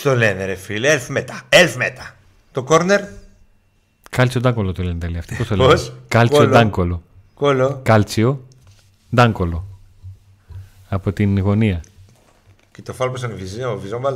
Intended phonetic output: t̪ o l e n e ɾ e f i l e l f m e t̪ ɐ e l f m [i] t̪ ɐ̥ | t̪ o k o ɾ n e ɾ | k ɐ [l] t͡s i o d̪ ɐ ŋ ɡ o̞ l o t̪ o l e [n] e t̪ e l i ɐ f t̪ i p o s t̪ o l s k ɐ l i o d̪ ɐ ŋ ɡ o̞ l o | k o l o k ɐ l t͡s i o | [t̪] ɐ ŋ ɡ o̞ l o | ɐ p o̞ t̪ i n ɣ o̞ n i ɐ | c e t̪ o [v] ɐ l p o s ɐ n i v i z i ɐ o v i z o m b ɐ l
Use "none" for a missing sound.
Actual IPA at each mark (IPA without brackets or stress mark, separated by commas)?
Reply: e, l, n, d̪, f